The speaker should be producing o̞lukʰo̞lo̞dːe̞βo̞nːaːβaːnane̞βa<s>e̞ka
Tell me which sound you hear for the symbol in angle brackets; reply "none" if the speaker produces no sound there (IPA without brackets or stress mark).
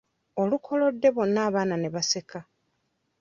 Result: s